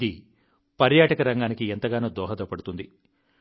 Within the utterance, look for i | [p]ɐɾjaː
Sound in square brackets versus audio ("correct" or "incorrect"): correct